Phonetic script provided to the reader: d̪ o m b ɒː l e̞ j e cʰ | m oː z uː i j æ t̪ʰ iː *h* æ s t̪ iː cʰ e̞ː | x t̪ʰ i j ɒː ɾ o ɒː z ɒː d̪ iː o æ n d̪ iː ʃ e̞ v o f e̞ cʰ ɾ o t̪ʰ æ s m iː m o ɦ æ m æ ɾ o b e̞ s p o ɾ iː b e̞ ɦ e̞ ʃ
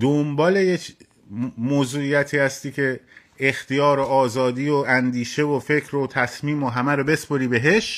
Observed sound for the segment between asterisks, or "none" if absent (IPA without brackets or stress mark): h